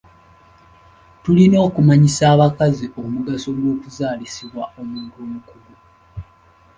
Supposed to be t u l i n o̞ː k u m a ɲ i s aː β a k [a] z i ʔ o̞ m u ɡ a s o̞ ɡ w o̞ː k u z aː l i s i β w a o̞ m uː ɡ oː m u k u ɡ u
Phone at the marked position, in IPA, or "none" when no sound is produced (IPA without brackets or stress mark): a